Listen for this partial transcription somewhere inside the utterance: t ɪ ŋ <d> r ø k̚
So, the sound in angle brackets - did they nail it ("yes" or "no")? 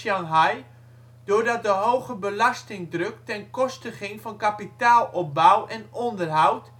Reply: yes